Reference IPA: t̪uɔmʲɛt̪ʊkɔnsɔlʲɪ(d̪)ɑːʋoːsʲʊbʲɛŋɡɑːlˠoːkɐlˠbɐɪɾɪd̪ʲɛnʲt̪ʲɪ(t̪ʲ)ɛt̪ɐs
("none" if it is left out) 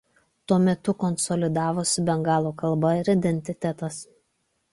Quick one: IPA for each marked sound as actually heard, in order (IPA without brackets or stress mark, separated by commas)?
d̪, t̪ʲ